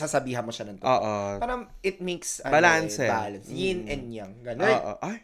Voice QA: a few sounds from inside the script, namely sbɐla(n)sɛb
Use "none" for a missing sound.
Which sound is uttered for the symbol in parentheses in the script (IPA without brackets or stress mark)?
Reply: n